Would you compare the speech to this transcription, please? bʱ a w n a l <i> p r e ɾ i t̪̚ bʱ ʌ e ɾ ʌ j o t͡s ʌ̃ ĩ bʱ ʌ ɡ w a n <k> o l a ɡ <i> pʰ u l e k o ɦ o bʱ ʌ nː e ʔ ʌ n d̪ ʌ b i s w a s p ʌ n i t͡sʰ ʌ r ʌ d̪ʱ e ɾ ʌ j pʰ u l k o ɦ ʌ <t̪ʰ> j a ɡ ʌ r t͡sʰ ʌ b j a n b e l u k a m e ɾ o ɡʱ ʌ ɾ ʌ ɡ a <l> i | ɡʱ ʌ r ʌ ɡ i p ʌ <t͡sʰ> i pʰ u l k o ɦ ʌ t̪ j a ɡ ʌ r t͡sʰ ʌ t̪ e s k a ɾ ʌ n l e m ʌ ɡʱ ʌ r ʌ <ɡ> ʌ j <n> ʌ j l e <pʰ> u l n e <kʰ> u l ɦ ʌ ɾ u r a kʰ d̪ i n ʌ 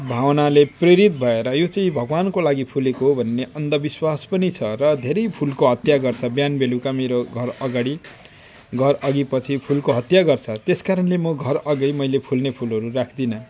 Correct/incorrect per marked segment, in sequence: incorrect: e, correct, correct, incorrect: t̪, incorrect: ɽ, correct, correct, incorrect: m, correct, incorrect: pʰ

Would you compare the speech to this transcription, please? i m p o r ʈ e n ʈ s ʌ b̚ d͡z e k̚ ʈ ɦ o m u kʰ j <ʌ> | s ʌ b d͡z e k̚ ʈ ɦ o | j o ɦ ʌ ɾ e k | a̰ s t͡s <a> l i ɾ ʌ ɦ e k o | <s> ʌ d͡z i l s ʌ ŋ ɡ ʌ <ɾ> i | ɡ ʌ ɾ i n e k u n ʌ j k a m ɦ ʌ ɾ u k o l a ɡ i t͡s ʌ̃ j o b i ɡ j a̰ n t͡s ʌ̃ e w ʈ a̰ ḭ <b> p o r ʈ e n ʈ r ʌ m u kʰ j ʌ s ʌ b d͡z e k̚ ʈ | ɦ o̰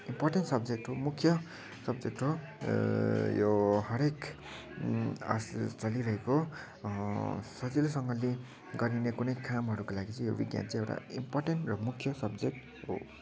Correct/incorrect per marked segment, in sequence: correct, incorrect: ʌ, correct, incorrect: l, incorrect: m

